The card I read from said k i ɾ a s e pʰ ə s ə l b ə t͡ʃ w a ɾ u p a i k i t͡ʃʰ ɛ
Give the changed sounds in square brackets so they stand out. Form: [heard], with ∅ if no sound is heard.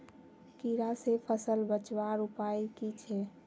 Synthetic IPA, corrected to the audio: k i ɾ a s e pʰ ə s ə l b ə t͡ʃ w a ɾ u p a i k i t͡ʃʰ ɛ

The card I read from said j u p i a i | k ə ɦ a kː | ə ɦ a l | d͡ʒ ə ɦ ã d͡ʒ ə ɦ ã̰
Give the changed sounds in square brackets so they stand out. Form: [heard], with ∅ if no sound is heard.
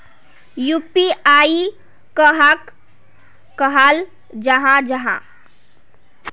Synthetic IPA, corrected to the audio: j u p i a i | k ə ɦ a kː | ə ɦ a l | d͡ʒ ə ɦ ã d͡ʒ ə ɦ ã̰

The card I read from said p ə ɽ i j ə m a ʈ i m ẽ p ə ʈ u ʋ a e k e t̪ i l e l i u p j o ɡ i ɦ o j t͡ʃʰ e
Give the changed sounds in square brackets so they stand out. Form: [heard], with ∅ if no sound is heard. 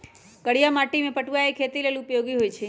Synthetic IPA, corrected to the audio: [k] ə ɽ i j [a] m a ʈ i m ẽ p ə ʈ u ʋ a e [kʰ] e t̪ i l e l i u p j o ɡ i ɦ o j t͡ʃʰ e

